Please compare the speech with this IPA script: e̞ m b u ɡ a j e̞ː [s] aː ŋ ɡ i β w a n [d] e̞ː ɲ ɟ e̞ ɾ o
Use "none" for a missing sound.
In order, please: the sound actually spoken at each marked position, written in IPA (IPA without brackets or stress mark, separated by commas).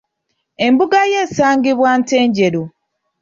s, t